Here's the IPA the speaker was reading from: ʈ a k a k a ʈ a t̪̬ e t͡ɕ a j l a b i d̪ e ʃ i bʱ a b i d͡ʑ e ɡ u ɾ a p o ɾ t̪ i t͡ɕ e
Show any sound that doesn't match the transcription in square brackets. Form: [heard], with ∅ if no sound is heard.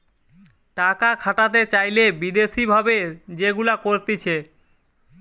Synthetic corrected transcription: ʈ a k a [kʰ] a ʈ a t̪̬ e t͡ɕ a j l [e] b i d̪ e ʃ i bʱ a b [e] d͡ʑ e ɡ u [l] a [k] o ɾ t̪ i [t͡ɕʰ] e